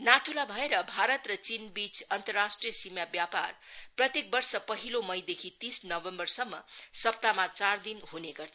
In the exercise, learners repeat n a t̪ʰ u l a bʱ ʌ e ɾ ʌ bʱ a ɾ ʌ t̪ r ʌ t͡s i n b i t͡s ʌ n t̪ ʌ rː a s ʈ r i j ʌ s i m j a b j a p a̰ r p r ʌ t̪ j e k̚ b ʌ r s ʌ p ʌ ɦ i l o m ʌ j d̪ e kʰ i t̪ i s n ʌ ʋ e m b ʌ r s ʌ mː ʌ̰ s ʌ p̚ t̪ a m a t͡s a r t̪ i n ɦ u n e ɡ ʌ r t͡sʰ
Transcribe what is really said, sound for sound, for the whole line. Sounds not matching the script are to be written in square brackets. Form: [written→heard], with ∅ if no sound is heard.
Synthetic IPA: n a t̪ʰ u l a bʱ ʌ e ɾ ʌ bʱ a ɾ ʌ t̪ r ʌ t͡s i n b i t͡s ʌ n t̪ ʌ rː a s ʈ r i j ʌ s i m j a b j a p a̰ r p r ʌ t̪ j e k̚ b ʌ r s ʌ p ʌ ɦ i l o m ʌ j d̪ e kʰ i t̪ i s n ʌ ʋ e m b ʌ r s ʌ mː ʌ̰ s ʌ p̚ t̪ a m a t͡s a r [t̪→d̪] i n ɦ u n e ɡ ʌ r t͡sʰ